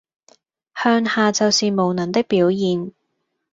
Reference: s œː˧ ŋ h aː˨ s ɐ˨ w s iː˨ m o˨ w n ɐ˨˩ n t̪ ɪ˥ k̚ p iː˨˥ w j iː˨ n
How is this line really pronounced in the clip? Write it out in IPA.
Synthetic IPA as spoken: h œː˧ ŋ h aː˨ t͡s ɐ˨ w s iː˨ m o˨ w n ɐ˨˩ n t̪ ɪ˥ k̚ p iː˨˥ w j iː˨ n